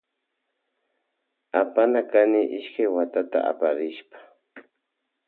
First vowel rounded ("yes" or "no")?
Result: no